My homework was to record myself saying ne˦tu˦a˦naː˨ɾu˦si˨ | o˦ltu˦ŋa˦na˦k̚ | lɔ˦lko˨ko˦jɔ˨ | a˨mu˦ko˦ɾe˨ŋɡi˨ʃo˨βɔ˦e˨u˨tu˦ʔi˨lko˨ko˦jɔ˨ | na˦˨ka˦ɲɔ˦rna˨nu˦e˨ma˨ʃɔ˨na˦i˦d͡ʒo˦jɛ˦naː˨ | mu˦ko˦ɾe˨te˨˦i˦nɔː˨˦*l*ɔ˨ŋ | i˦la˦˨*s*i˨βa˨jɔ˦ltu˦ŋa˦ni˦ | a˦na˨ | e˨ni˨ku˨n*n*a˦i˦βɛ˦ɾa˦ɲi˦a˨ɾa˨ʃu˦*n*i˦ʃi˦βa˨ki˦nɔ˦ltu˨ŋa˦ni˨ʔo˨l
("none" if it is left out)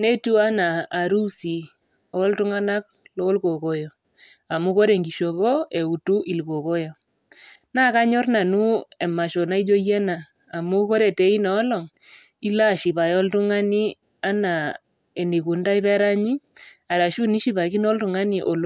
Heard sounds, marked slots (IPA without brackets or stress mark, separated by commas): l, ʃ, d, n